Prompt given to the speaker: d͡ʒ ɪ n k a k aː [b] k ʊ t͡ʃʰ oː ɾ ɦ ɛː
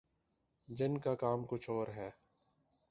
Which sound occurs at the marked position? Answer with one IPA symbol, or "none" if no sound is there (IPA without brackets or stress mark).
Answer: m